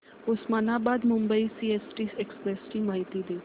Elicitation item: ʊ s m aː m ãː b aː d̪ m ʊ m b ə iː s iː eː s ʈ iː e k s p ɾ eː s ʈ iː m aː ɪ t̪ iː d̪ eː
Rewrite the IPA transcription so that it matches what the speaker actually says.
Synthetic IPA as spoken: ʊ s m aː n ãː b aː d̪ m ʊ m b ə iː s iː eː s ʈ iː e k s p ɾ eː s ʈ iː m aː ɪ t̪ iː d̪ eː